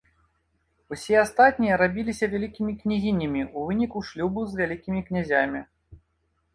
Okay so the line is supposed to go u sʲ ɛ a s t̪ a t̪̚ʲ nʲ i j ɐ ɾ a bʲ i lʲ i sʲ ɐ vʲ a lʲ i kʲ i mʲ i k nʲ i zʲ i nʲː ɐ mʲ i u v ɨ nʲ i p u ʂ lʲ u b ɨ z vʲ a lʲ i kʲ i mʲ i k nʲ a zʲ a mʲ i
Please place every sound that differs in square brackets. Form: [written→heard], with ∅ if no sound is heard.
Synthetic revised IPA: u sʲ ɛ a s t̪ a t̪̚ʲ nʲ i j ɐ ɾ a bʲ i lʲ i sʲ ɐ vʲ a lʲ i kʲ i mʲ i k nʲ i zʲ i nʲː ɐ mʲ i u v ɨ nʲ i [p→k] u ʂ lʲ u b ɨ z vʲ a lʲ i kʲ i mʲ i k nʲ a zʲ a mʲ i